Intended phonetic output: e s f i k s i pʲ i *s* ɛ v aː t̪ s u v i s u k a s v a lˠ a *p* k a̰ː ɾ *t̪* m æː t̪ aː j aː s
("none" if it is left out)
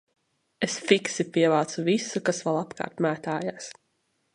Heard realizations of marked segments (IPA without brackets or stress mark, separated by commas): none, p, t̪